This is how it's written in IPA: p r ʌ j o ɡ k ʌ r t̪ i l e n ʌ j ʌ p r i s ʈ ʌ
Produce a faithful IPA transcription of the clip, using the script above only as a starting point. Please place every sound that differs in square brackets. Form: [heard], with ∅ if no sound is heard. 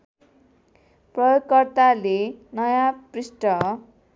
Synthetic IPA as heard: p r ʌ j o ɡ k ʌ r t̪ [a] l e n ʌ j [a] p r i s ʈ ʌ